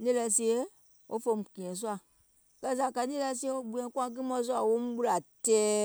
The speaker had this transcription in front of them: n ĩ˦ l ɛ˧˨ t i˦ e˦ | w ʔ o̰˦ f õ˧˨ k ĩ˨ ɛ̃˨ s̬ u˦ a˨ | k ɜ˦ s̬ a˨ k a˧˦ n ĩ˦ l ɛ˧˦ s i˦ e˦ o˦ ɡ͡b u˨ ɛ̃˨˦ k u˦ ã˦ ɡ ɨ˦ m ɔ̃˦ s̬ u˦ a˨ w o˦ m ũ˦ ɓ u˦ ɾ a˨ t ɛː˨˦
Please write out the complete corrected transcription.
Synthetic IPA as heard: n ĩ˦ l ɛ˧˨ s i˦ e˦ | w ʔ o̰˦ f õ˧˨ k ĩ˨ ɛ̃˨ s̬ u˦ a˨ | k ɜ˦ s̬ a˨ k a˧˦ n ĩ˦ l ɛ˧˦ s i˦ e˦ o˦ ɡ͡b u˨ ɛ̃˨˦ k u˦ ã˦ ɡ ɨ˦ m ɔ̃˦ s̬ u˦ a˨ w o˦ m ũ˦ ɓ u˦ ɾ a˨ t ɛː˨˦